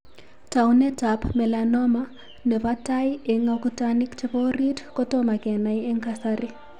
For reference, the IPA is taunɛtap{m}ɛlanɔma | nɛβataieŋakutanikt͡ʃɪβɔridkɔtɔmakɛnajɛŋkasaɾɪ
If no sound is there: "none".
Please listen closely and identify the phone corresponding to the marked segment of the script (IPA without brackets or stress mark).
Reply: m